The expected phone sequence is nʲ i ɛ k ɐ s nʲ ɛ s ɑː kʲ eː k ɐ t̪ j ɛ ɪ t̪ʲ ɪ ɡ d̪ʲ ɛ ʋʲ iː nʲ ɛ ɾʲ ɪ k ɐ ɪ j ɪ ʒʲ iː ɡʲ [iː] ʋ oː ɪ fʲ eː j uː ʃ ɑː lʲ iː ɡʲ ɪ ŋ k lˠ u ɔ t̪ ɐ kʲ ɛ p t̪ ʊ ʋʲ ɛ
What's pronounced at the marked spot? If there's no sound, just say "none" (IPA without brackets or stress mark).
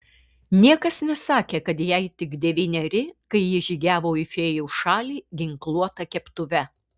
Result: æː